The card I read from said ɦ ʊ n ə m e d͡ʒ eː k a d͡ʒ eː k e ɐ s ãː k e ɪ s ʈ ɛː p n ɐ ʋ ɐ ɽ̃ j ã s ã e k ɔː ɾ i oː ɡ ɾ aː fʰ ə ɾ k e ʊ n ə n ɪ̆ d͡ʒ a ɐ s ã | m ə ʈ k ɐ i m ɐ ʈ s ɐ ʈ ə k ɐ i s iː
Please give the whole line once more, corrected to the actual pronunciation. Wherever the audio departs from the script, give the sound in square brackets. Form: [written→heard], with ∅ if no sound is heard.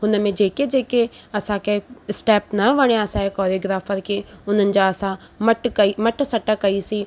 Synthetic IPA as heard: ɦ ʊ n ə m [e→ẽ] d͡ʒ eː k [a→e] d͡ʒ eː k e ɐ s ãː k e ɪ s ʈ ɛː p n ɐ ʋ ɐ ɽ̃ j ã s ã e k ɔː ɾ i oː ɡ ɾ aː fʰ ə ɾ k e ʊ n ə n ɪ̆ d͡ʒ a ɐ s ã | m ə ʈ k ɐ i m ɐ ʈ s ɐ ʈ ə k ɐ i s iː